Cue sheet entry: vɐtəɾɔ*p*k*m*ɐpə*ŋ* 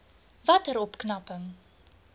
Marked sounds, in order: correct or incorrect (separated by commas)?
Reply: correct, incorrect, correct